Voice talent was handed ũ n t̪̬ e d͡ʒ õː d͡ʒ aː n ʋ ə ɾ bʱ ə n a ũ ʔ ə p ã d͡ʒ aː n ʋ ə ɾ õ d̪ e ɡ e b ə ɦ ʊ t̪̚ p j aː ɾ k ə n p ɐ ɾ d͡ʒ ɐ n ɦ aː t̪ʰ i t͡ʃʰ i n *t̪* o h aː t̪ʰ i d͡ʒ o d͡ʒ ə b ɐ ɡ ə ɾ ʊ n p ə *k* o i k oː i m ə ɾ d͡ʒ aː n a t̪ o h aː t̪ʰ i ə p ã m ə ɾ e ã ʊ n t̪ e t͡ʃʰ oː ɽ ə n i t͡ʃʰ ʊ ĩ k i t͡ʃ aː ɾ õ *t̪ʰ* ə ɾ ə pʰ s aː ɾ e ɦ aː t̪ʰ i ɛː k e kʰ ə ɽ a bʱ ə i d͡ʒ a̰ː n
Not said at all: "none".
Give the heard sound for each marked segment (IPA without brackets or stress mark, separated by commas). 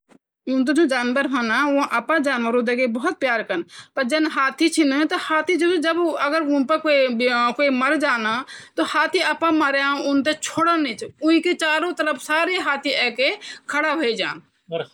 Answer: t̪, k, t̪